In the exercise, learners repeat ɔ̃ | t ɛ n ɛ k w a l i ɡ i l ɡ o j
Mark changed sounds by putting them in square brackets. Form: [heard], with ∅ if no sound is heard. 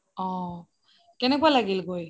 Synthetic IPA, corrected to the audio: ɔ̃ | [k] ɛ n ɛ k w a l [a] ɡ i l ɡ o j